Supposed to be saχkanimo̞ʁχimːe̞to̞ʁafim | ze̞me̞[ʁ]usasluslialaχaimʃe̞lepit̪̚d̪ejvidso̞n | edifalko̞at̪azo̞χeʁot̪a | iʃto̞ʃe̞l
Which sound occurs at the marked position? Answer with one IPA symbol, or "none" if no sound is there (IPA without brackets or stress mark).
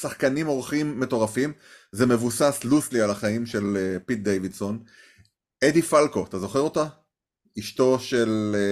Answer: v